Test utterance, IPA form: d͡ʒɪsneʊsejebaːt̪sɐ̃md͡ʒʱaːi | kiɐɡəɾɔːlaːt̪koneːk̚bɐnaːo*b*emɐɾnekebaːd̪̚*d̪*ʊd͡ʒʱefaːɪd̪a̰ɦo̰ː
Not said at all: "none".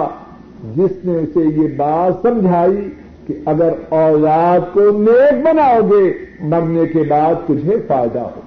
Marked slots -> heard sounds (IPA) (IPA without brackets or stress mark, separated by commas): ɡ, t̪